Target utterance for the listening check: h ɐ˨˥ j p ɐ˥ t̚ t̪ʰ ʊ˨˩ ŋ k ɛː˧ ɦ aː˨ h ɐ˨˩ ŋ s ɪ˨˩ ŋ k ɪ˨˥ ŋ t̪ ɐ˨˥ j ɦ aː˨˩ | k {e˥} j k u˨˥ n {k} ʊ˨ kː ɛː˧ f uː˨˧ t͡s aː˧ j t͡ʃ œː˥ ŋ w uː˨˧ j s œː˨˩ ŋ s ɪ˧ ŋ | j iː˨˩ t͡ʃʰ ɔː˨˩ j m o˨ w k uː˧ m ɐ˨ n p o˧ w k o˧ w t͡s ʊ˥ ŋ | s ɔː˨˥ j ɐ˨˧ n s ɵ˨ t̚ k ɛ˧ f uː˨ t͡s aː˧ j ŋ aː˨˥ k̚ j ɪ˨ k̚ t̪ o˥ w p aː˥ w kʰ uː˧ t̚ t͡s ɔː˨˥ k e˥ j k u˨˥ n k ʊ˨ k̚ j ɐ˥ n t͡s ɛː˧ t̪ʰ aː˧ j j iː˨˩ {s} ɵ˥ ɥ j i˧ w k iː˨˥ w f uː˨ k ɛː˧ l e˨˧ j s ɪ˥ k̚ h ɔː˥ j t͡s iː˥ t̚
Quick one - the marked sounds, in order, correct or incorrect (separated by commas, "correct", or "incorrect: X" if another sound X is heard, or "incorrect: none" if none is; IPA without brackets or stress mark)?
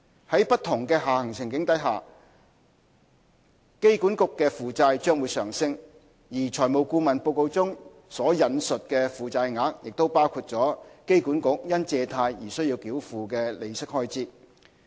correct, correct, correct